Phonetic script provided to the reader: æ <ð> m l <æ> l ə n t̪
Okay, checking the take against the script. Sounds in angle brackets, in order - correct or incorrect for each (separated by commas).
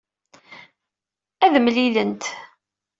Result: correct, incorrect